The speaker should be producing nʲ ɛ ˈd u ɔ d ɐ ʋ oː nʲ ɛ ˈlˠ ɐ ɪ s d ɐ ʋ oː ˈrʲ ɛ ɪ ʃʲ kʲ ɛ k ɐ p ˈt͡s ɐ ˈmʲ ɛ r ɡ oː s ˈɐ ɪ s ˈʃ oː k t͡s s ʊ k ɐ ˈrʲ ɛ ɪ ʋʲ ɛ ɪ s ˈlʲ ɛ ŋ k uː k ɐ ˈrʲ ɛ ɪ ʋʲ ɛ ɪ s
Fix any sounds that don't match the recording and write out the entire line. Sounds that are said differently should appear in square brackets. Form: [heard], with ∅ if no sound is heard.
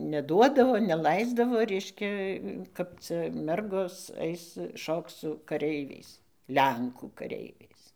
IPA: nʲ ɛ ˈd u ɔ d ɐ ʋ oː nʲ ɛ ˈlˠ ɐ ɪ [z] d ɐ ʋ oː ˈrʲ ɛ ɪ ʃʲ kʲ ɛ k ɐ p ˈt͡s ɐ ˈmʲ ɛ r ɡ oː s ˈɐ ɪ s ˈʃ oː k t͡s s ʊ k ɐ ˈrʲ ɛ ɪ ʋʲ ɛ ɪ s ˈlʲ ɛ ŋ k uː k ɐ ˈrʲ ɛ ɪ ʋʲ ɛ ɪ s